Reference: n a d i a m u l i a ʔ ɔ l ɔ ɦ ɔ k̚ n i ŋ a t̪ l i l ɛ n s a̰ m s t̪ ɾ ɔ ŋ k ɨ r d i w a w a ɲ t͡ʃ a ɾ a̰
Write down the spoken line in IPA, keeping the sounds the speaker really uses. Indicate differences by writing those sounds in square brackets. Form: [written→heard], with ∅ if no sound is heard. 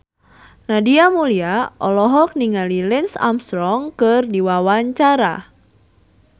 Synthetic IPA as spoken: n a d i a m u l i a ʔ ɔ l ɔ ɦ ɔ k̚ n i ŋ a [t̪→∅] l i l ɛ n s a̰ m s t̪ ɾ ɔ ŋ k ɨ r d i w a w a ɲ t͡ʃ a ɾ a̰